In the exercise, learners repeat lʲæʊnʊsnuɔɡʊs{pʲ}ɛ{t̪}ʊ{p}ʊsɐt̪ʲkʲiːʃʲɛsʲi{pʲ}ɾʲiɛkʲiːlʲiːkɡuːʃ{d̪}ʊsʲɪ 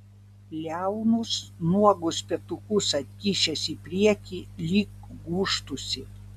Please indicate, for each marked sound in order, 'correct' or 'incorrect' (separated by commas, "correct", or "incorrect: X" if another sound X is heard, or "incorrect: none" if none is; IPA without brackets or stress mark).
correct, correct, incorrect: k, correct, incorrect: t̪